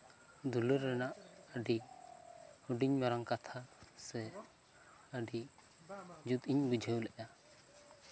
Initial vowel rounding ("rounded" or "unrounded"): rounded